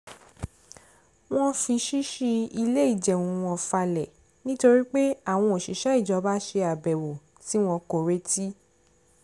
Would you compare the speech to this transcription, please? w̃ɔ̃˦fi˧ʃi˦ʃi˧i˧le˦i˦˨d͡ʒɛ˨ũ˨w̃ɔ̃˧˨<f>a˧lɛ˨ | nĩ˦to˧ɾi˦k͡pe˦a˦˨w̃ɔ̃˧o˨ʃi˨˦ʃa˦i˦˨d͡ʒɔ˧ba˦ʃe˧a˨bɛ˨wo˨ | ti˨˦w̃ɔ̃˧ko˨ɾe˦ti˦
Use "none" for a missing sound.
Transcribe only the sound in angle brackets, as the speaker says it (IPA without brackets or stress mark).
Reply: f